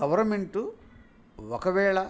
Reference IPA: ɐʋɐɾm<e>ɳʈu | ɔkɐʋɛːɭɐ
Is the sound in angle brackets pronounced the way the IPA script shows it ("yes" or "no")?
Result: yes